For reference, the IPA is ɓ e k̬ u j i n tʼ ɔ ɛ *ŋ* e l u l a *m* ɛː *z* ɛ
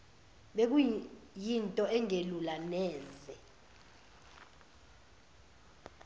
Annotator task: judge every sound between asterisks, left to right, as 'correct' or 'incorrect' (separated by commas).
correct, incorrect, correct